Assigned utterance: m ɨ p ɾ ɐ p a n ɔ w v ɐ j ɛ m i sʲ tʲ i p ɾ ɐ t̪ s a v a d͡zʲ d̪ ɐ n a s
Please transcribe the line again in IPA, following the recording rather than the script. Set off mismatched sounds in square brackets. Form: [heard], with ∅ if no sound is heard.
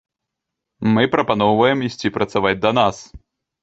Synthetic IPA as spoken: m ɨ p ɾ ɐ p a n ɔ w v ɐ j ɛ m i sʲ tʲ i p ɾ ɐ t̪ s a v a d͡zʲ d̪ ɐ n a s